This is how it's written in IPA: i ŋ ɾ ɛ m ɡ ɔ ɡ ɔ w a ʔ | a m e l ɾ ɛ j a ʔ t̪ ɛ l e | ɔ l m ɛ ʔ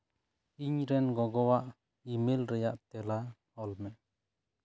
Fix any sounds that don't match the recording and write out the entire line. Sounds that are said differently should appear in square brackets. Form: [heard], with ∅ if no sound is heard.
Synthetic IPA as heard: i [ɲ] ɾ ɛ [n] ɡ ɔ ɡ ɔ w a ʔ | [i] m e l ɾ ɛ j a ʔ t̪ ɛ l [a] | ɔ l m ɛ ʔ